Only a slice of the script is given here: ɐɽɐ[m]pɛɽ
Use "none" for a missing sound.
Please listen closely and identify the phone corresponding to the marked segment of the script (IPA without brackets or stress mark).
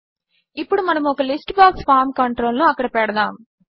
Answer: none